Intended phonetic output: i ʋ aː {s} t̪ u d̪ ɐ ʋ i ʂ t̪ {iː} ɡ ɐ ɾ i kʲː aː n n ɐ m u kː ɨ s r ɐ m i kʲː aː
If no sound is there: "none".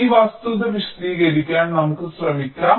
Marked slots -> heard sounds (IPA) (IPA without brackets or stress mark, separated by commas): s, iː